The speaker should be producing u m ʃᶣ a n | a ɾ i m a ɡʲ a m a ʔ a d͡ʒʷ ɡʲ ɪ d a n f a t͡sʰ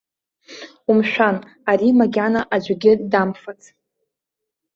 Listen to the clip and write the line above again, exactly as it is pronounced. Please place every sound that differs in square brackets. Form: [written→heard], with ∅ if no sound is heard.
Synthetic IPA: u m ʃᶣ a n | a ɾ i m a ɡʲ a [m→n] a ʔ a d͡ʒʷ ɡʲ ɪ d a [n→m] f a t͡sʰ